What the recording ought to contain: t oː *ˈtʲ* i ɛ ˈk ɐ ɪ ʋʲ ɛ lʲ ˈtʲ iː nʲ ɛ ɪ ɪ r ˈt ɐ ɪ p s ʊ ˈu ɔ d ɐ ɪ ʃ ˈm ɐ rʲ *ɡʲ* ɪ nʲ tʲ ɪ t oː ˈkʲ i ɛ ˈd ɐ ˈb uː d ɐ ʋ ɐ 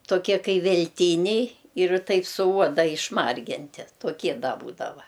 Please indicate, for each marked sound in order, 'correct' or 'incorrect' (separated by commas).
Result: incorrect, correct